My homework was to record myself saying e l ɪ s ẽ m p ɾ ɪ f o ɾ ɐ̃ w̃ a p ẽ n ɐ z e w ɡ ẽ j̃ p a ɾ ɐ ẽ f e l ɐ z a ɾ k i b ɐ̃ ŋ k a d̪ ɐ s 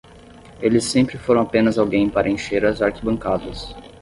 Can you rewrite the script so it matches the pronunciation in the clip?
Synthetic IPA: e l ɪ s ẽ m p ɾ ɪ f o ɾ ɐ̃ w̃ a p ẽ n ɐ z a w ɡ ẽ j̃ p a ɾ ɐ ẽ ʃ e ɾ ɐ z a ɾ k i b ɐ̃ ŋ k a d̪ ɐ s